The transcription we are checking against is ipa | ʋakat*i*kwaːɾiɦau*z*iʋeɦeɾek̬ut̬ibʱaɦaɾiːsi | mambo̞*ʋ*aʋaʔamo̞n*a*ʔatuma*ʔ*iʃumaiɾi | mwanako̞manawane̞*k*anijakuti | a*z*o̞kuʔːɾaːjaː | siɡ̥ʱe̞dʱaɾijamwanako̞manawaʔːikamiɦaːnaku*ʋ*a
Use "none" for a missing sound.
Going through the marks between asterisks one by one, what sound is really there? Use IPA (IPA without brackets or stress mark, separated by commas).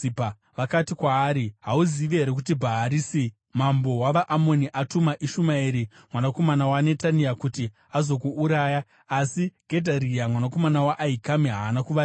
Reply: i, z, w, i, ʔ, t, z, ʋ